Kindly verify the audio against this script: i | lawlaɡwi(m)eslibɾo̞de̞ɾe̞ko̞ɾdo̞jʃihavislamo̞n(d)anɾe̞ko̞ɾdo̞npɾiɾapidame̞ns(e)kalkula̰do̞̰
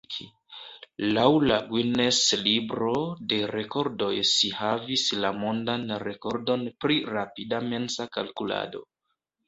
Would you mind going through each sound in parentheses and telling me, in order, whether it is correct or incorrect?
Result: incorrect: n, correct, incorrect: a

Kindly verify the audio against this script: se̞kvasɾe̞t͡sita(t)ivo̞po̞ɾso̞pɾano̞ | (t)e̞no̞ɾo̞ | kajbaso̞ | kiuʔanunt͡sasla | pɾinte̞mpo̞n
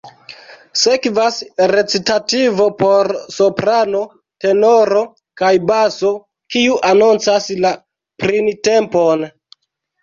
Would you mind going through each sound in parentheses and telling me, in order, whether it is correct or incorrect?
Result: correct, correct

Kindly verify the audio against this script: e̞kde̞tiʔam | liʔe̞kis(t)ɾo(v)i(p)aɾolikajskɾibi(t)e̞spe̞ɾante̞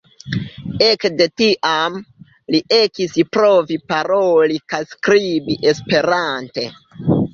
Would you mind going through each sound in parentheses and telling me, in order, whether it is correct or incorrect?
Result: incorrect: p, correct, correct, incorrect: ʔ

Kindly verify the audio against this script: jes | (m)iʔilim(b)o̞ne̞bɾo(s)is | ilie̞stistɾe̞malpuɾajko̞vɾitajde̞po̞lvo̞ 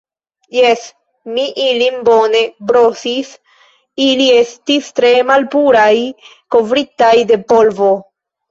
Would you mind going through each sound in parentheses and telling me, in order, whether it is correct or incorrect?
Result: correct, correct, correct

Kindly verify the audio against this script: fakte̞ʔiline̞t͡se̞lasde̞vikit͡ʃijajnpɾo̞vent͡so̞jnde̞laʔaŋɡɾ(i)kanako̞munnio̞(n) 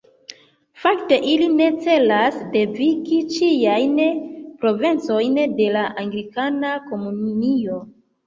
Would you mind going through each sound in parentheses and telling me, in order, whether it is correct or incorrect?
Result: correct, incorrect: none

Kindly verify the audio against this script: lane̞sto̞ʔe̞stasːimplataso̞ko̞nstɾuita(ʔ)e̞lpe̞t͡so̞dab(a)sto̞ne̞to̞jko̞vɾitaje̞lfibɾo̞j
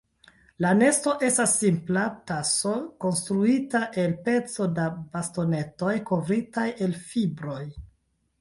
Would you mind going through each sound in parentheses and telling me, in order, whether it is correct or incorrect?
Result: correct, correct

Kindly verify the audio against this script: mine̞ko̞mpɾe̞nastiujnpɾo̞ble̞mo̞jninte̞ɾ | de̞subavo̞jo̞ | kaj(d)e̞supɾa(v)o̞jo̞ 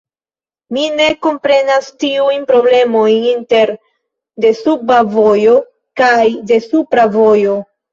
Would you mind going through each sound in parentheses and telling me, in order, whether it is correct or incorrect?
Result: correct, correct

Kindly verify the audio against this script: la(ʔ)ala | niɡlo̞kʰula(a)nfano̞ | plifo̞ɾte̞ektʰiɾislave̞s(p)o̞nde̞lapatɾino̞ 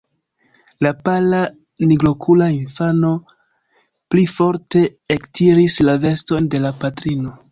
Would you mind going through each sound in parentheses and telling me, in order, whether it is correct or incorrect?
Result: incorrect: p, incorrect: i, incorrect: t

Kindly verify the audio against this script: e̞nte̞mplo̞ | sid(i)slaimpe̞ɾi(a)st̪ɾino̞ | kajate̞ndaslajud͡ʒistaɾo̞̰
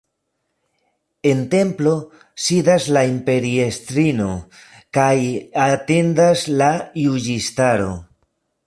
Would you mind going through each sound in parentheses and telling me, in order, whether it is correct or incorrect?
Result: incorrect: a, incorrect: e

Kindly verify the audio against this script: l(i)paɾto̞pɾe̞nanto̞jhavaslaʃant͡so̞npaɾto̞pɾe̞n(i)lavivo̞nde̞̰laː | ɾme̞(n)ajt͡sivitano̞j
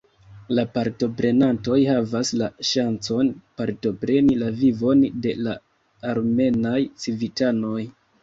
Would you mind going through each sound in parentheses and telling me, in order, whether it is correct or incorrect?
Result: incorrect: a, correct, correct

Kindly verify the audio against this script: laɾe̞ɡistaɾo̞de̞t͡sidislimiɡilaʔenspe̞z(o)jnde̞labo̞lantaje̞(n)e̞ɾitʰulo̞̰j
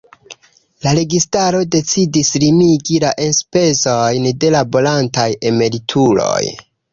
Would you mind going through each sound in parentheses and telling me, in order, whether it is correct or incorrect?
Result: correct, incorrect: m

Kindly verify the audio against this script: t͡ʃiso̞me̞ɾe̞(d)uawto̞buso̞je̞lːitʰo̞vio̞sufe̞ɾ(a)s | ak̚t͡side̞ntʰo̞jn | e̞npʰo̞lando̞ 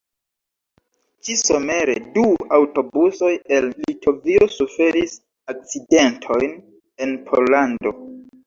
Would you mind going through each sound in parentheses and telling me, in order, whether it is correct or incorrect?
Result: correct, incorrect: i

